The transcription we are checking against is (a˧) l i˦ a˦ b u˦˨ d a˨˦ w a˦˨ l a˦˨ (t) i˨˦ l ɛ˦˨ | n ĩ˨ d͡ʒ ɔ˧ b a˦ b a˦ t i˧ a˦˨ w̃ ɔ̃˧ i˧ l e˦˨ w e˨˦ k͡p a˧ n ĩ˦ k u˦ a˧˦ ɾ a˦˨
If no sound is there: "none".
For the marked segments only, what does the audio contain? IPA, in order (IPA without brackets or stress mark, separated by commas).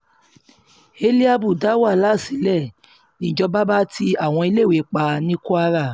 e˧, s